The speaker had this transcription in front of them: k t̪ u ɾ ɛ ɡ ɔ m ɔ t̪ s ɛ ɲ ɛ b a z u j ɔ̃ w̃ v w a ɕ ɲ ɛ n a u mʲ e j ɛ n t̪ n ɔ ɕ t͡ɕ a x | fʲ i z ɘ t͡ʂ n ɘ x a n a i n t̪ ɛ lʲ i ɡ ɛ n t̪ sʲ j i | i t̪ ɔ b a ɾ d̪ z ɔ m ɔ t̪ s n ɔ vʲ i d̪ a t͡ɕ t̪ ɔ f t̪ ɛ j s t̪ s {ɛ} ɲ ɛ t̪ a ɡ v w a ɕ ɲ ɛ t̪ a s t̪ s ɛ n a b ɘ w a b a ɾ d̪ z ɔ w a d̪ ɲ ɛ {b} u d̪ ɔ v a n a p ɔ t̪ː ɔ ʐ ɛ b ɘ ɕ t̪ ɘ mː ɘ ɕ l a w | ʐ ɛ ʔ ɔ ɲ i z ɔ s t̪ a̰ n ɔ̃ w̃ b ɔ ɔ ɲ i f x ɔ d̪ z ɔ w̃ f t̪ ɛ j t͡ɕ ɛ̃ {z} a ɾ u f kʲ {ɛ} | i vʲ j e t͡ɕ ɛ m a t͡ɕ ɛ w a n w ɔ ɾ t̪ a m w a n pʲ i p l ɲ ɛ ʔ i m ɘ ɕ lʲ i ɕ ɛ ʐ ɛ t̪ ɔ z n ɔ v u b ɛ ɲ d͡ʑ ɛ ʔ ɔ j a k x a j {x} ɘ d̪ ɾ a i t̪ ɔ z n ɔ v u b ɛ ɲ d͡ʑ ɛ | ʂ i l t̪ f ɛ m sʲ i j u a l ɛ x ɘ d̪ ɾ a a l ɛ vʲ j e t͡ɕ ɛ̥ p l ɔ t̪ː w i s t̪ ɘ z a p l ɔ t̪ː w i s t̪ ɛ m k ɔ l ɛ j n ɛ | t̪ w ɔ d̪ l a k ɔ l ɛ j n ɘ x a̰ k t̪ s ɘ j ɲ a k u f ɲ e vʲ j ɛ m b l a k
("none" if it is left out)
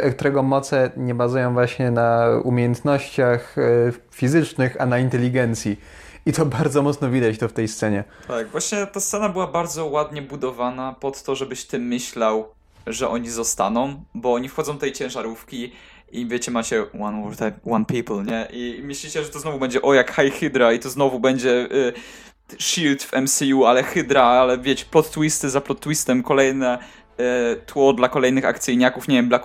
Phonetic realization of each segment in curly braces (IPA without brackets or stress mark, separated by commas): ɛ, b, ʐ, i, x